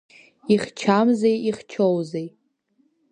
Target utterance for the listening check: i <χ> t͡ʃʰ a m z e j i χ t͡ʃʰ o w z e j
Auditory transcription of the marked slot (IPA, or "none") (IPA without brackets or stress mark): χ